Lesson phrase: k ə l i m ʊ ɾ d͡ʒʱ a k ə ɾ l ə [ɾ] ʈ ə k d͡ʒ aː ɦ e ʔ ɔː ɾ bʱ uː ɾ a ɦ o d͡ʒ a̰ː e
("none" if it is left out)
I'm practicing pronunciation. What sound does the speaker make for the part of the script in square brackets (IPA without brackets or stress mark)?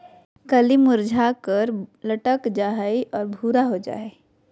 none